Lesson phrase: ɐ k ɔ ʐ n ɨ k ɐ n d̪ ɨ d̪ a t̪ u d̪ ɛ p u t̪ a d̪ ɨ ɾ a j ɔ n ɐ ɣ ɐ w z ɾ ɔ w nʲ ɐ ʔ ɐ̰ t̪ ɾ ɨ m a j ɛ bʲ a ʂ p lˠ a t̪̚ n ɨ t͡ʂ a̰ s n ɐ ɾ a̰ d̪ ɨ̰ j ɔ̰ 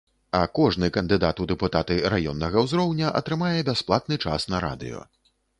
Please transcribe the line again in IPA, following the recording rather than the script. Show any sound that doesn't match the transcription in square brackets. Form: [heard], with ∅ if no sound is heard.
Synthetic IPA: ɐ k ɔ ʐ n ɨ k ɐ n d̪ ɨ d̪ a t̪ u d̪ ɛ p u t̪ a [t̪] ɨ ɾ a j ɔ [nː] ɐ ɣ ɐ w z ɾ ɔ w nʲ ɐ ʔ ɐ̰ t̪ ɾ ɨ m a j ɛ bʲ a [s] p lˠ a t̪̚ n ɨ t͡ʂ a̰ s n ɐ ɾ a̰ d̪ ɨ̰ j ɔ̰